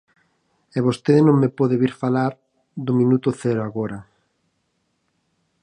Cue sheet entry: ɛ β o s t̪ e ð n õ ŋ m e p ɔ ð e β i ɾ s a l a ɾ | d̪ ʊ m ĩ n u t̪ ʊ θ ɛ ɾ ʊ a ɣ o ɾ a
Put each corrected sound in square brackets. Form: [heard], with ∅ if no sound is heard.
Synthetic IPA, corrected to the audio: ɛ β o s t̪ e ð n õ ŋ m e p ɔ ð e β i ɾ [f] a l a ɾ | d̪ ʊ m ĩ n u t̪ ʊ θ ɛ ɾ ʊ a ɣ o ɾ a